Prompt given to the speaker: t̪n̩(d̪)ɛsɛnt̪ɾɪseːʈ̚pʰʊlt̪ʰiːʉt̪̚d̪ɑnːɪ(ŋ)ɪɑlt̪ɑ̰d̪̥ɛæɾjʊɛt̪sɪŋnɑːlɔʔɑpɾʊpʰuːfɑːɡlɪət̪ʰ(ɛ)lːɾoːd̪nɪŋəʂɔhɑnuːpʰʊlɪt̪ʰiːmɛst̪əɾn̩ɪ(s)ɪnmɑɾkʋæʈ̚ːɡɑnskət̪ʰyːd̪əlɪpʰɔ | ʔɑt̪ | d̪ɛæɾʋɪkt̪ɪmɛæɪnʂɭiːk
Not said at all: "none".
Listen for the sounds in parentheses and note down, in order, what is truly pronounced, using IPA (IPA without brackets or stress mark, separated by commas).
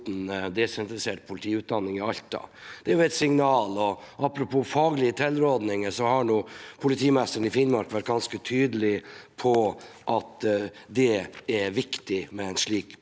d̪, ŋ, ɛ, f